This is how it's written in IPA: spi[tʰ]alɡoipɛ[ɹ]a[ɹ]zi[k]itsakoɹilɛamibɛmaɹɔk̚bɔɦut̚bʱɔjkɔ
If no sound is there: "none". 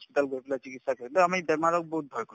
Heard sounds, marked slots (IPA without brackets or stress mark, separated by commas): t, l, none, k